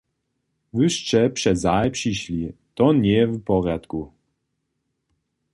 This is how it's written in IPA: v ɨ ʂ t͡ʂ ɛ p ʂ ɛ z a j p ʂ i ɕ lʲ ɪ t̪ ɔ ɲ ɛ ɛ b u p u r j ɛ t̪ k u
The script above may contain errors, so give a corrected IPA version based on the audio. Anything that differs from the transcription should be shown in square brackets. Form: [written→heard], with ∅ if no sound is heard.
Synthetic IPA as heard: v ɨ ʂ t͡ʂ ɛ p ʂ ɛ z a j p ʂ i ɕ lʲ [ɪ→i] t̪ ɔ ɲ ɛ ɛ [b→v] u p [u→ɔ] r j [ɛ→a] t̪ k u